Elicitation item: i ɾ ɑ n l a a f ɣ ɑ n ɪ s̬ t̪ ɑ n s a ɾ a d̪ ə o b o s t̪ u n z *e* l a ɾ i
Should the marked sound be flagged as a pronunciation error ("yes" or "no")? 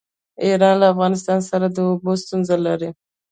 yes